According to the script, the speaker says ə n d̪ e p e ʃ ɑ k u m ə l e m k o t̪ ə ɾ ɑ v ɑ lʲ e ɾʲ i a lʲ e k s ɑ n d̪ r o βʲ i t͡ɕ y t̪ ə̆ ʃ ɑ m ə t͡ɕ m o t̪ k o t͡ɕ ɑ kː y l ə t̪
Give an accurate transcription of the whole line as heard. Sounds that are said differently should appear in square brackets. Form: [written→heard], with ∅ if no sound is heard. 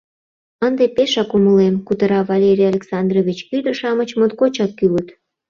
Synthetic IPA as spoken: ə n d̪ e p e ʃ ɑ k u m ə l e m k [o→u] t̪ ə ɾ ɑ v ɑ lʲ e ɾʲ i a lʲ e k s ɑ n d̪ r o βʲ i t͡ɕ y [t̪→d̪] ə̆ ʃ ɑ m ə t͡ɕ m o t̪ k o t͡ɕ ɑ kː y l ə t̪